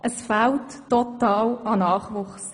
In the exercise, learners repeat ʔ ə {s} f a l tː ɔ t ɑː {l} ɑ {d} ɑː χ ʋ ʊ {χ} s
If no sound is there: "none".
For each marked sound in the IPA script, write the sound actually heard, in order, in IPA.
s, l, n, χ

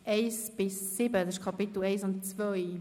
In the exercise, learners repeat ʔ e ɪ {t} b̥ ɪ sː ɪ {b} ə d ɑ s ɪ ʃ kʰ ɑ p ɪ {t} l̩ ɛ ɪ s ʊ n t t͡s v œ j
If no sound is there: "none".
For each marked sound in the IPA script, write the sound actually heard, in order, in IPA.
s, b, t

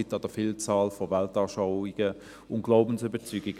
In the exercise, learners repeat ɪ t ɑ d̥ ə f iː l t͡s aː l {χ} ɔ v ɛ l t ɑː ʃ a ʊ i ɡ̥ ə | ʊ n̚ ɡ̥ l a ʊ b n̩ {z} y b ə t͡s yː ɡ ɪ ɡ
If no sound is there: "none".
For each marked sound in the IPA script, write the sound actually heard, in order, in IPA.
f, s

